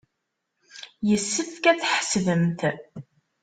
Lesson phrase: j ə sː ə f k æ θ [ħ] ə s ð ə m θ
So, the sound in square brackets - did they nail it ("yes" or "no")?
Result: yes